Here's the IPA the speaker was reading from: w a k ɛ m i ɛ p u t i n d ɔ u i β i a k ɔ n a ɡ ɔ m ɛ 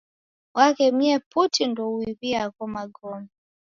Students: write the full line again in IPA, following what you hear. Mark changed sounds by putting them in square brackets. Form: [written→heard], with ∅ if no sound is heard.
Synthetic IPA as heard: w a k ɛ m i ɛ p u t i n d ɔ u i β i a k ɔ [n→m] a ɡ ɔ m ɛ